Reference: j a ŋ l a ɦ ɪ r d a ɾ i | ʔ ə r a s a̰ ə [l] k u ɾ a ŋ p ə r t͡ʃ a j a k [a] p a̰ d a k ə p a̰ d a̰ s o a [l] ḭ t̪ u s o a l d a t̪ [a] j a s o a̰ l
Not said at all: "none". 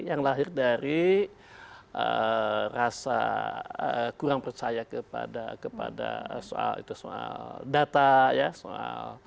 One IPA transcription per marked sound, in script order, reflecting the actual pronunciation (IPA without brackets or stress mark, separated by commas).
none, ə, l, a